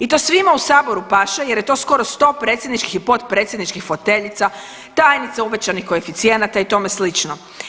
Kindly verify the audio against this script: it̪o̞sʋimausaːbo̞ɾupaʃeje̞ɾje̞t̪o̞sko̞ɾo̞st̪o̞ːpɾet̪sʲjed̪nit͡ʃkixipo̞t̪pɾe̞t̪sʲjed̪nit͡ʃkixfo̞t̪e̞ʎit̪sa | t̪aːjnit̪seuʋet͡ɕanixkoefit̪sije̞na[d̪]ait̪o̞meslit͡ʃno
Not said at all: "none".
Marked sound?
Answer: t̪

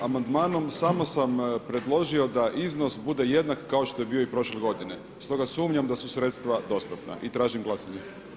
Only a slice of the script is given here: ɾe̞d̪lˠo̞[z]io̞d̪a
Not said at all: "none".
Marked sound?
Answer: ʒ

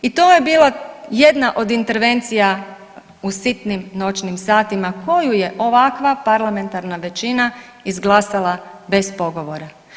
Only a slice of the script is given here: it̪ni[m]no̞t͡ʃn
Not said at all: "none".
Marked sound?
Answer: m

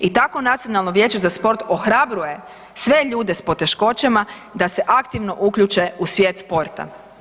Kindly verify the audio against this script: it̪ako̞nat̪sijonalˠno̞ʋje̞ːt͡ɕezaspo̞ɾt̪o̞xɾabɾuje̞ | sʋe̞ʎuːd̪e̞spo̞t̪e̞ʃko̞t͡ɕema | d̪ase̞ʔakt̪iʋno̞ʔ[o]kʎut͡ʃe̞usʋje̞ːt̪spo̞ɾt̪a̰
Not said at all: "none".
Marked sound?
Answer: u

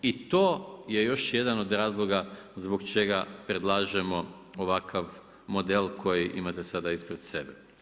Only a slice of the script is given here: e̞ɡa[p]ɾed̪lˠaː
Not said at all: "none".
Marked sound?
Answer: p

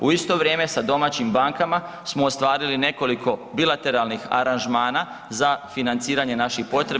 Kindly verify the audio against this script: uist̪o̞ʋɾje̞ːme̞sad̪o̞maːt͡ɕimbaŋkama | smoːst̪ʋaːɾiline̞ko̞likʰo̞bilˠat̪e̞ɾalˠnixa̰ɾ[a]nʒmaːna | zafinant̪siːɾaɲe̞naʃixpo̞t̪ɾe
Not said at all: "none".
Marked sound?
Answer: a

